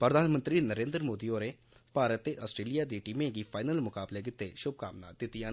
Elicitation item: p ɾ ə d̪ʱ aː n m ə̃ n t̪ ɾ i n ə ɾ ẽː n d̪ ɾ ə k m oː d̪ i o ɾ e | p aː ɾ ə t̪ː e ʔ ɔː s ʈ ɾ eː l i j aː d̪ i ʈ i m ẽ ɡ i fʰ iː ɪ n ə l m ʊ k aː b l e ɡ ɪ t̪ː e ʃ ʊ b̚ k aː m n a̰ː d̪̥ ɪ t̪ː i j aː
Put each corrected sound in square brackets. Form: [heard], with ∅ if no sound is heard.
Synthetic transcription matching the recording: p ɾ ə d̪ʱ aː n m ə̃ n t̪ ɾ i n ə ɾ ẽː n d̪ ɾ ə [∅] m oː d̪ i o ɾ e | p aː ɾ ə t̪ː e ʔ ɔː s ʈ ɾ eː l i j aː d̪ i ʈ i m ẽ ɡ i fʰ [aː] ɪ n ə l m ʊ k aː b l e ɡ ɪ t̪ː e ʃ ʊ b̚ k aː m n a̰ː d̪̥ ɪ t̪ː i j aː